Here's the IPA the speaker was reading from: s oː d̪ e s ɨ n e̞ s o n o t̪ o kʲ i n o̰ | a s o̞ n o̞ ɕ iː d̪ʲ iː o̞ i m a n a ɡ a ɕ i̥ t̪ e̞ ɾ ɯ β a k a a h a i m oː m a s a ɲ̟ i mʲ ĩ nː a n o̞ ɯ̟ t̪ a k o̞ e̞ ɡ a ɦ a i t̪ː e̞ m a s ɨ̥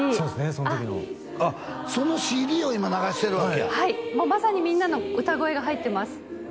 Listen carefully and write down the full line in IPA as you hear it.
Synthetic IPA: s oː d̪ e s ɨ n e̞ s o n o t̪ o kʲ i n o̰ | a s o̞ n o̞ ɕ iː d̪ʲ iː o̞ i m a n a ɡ a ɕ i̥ t̪ e̞ ɾ ɯ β a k e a h a i m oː m a s a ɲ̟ i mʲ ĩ nː a n o̞ ɯ̟ t̪ a ɡ o̞ e̞ ɡ a ɦ a i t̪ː e̞ m a s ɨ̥